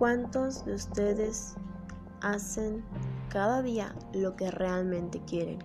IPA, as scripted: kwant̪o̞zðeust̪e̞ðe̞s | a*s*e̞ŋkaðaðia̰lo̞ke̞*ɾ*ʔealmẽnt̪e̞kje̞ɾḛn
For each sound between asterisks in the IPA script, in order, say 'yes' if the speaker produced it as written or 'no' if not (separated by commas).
yes, no